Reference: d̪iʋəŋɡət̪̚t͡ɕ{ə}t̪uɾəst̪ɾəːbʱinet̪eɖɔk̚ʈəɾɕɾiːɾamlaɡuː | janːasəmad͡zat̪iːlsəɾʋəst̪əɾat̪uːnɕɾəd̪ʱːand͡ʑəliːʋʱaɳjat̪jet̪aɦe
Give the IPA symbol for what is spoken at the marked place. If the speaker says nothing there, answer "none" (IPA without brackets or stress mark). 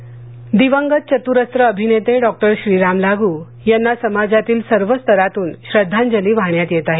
ə